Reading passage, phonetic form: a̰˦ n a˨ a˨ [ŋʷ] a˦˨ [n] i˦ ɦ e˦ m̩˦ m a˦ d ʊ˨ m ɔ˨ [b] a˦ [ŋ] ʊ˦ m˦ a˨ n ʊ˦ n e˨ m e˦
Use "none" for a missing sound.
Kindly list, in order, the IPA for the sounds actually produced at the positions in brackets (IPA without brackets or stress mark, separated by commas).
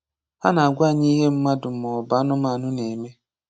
ɡʷ, ɲ, b, n